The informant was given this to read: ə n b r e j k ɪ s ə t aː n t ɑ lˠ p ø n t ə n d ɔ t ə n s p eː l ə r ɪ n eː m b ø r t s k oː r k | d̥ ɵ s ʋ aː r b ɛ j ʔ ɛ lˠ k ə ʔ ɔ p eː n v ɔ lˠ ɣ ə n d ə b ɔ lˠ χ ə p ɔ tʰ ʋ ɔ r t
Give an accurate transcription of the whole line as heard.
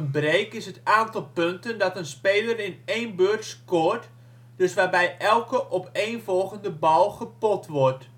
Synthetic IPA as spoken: ə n b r e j k ɪ s ə t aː n t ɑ lˠ p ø n t ə n d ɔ t ə n s p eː l ə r ɪ n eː n b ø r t s k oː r t | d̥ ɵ s ʋ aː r b ɛ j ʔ ɛ lˠ k ə ʔ ɔ p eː n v ɔ lˠ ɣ ə n d ə b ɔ lˠ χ ə p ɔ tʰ ʋ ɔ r t

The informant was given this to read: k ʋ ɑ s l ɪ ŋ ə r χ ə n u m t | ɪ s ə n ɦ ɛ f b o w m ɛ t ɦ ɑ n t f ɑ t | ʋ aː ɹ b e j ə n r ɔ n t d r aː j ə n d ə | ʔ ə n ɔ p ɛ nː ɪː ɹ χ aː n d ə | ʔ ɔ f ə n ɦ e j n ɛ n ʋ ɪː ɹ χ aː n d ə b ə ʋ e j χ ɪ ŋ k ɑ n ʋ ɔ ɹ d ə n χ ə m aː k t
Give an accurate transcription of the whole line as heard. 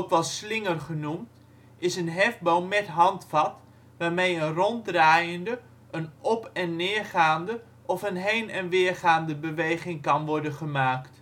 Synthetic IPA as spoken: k ʋ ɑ s l ɪ ŋ ə r χ ə n u m t | ɪ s ə n ɦ ɛ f b o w m ɛ t ɦ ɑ n t f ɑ t | ʋ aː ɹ m e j ə n r ɔ n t d r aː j ə n d ə | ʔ ə n ɔ p ɛ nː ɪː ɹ χ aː n d ə | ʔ ɔ f ə n ɦ e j n ɛ n ʋ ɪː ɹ χ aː n d ə b ə ʋ e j χ ɪ ŋ k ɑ n ʋ ɔ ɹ d ə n χ ə m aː k t

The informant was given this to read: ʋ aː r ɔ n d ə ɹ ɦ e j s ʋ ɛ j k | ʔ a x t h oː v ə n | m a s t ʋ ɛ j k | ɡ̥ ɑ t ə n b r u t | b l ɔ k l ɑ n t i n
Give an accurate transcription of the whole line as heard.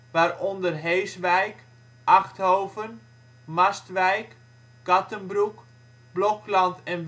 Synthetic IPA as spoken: ʋ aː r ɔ n d ə r ɦ e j s ʋ ɛ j k | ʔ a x t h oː v ə n | m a s t ʋ ɛ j k | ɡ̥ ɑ t ə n b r u k | b l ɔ k l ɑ n t ɛ n

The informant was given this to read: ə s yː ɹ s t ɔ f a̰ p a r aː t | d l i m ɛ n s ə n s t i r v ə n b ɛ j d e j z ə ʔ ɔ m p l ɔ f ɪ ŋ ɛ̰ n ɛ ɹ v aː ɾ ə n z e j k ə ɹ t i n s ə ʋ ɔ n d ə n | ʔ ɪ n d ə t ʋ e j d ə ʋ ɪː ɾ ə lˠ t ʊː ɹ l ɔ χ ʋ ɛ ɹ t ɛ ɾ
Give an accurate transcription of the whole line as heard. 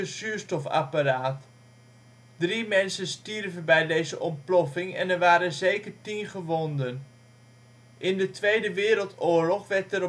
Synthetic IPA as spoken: ə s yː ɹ s t ɔ f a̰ p a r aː t | d r i m ɛ n s ə n s t i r v ə n b ɛ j d e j z ə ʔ ɔ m p l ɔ f ɪ ŋ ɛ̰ n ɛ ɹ ʋ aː ɾ ə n z e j k ə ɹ t i n χ ə ʋ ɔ n d ə n | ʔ ɪ n d ə t ʋ e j d ə ʋ ɪː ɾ ə lˠ t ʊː ɹ l ɔ χ ʋ ɛ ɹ t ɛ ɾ

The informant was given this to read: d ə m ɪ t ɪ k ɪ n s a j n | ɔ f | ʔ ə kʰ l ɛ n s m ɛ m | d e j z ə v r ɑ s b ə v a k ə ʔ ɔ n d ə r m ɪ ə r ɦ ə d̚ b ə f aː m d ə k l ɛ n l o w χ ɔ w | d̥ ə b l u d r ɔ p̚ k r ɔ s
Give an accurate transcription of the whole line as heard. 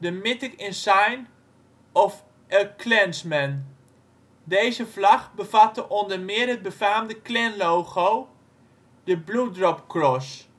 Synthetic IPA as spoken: d ə m ɪ t ɪ k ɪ n s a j n | ɔ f | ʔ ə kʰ l ɛ n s m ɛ n | d e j z ə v l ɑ χ b ə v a t ə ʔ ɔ n d ə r m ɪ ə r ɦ ə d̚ b ə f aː m d ə k l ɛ n l o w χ o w | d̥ ə b l u d r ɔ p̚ k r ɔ s

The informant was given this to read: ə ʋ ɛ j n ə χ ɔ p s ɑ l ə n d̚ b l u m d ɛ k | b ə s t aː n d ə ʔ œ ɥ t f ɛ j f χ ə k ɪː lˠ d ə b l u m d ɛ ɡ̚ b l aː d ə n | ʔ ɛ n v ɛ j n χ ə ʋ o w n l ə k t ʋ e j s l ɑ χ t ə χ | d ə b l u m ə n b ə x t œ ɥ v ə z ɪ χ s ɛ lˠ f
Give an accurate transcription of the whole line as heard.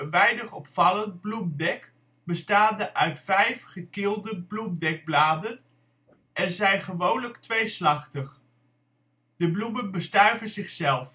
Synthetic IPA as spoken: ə ʋ ɛ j n ə χ ɔ p f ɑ l ə n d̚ b l u m d ɛ k | b ə s t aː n d ə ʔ œ ɥ t f ɛ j f χ ə k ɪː lˠ d ə b l u m d ɛ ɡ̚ b l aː d ə n | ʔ ɛ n z ɛ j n χ ə ʋ o w n l ə k t ʋ e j s l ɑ χ t ə χ | d ə b l u m ə n b ə s t œ ɥ v ə z ɪ χ s ɛ lˠ f

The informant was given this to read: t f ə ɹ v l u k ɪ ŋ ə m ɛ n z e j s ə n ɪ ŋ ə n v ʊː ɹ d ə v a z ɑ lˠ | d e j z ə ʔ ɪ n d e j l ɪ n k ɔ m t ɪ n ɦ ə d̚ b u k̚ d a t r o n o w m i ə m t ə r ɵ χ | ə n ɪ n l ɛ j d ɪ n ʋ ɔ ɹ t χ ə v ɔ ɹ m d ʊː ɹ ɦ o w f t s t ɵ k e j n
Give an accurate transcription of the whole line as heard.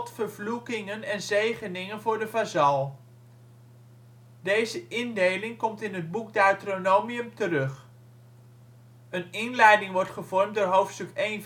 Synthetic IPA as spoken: t f ə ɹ v l u k ɪ ŋ ə n ɛ n z e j χ ə n ɪ ŋ ə n v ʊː ɹ d ə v a z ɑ lˠ | d e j z ə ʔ ɪ n d e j l ɪ ŋ k ɔ m t ɪ n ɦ ə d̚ b u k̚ d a t r o n o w m i ə m t ə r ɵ χ | ə n ɪ n l ɛ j d ɪ ŋ ʋ ɔ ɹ t χ ə v ɔ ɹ m d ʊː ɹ ɦ o w f t s t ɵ k e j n

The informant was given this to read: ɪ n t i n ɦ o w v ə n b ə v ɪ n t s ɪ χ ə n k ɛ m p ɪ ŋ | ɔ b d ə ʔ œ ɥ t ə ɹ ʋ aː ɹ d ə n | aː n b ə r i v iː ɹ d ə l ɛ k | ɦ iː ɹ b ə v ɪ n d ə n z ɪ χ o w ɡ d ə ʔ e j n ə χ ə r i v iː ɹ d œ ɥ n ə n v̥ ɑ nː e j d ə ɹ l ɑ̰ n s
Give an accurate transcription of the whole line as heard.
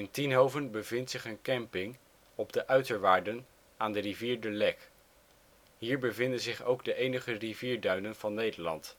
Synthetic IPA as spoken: ɪ n t i n ɦ o w v ə n b ə v ɪ n t s ɪ χ ə n k ɛ m p ɪ ŋ | ɔ b d ə ʔ œ ɥ t ə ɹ ʋ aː ɹ d ə n | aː n d ə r i v iː ɹ d ə l ɛ k | ɦ iː ɹ b ə v ɪ n d ə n z ɪ χ o w ɡ d ə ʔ e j n ə χ ə r i v iː ɹ d œ ɥ n ə n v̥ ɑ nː e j d ə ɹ l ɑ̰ n t

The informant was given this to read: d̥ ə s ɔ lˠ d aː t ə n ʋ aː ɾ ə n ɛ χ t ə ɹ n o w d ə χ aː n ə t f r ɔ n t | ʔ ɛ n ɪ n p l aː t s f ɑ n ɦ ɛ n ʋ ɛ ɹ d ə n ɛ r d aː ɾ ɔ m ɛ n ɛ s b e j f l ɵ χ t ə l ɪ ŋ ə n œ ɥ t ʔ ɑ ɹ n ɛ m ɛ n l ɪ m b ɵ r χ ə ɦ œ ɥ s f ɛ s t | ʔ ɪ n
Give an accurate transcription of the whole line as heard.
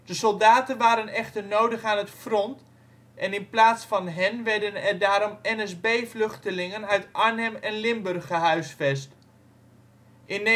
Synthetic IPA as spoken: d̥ ə s ɔ lˠ d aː t ə n ʋ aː ɾ ə n ɛ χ t ə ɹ n o w d ə χ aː n ə t f r ɔ n t | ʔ ɛ n ɪ n p l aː t s f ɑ n ɦ ɛ n ʋ ɛ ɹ d ə n ɛ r d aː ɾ ɔ m ɛ n ɛ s b e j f l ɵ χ t ə l ɪ ŋ ə n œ ɥ t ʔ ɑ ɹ n ɛ m ɛ n l ɪ m b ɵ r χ ə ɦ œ ɥ s f ɛ s t | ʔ ɪ n

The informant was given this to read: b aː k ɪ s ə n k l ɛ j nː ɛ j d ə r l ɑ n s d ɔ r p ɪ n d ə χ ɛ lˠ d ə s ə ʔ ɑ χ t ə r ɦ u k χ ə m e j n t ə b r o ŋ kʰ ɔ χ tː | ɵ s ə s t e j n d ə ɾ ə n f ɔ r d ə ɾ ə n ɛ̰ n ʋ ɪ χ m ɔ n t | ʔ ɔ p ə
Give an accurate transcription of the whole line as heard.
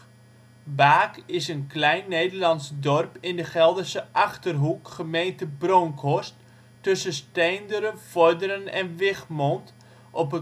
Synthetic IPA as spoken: b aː k ɪ s ə n k l ɛ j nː e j d ə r l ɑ n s d ɔ r p ɪ n d ə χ ɛ lˠ d ə s ə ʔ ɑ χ t ə r ɦ u k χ ə m e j n t ə b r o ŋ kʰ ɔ s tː | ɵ s ə s t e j n d ə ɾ ə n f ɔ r d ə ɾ ə n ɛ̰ n ʋ ɪ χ m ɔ n t | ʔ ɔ p ə

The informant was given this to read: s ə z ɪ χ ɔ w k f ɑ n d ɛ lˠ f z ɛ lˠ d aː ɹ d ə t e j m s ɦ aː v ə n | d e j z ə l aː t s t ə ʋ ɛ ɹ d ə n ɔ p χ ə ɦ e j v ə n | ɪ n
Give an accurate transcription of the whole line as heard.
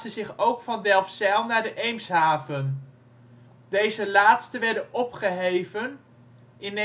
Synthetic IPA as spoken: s ə z ɪ χ o w k f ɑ n d ɛ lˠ f s ɛ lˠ n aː ɹ d ə ʔ e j m s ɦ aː v ə n | d e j z ə l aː t s t ə ʋ ɛ ɹ d ə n ɔ p χ ə ɦ e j v ə n | ɪ n

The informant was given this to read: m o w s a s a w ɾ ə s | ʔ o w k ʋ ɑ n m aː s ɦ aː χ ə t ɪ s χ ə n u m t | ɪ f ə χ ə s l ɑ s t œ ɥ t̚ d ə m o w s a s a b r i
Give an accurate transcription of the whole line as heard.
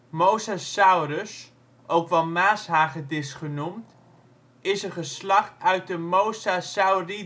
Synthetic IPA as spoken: m o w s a s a w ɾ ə s | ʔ o w k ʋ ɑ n m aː s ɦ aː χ ə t ɪ s χ ə n u m t | ɪ s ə χ ə s l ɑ χ t œ ɥ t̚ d ə m o w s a s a w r i

